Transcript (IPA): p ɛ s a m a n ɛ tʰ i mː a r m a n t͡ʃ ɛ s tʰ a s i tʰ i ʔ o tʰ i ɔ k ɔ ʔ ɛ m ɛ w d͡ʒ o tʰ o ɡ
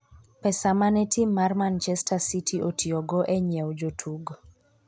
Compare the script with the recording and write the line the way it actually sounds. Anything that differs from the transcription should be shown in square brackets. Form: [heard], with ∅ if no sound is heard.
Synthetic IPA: p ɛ s a m a n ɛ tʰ i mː a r m a n t͡ʃ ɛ s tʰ a s i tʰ i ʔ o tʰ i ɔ [ɡ] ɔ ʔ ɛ [ɲ] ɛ w d͡ʒ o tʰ [u] ɡ